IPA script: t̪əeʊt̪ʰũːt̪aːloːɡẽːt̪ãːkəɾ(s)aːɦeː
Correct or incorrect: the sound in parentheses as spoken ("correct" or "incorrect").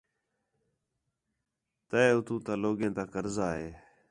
incorrect